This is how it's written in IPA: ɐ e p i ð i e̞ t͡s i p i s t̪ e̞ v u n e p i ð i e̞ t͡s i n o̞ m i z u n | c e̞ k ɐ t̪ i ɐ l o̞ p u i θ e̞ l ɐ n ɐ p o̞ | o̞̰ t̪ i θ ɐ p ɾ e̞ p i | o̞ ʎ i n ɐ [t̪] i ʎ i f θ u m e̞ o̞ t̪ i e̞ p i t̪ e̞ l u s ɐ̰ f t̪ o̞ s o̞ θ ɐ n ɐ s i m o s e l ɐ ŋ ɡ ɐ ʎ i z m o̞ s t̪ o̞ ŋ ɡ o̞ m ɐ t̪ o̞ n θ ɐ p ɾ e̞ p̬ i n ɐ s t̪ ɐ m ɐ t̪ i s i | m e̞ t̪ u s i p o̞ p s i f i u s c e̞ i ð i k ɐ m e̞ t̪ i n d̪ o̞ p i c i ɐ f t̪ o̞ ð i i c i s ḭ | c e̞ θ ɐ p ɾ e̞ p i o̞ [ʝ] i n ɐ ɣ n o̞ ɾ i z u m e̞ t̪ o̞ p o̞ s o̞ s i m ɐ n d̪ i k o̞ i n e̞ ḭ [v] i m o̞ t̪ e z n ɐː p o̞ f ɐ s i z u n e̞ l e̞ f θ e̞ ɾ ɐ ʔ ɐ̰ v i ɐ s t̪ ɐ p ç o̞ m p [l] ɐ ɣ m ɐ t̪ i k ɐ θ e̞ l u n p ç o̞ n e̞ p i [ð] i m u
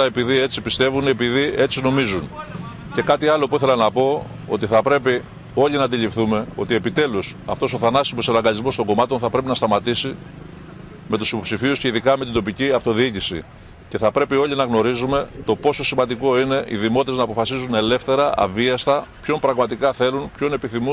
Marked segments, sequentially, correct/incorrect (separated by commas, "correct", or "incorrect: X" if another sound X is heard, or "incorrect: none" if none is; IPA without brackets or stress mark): incorrect: d̪, incorrect: ʎ, incorrect: ð, incorrect: ɾ, incorrect: θ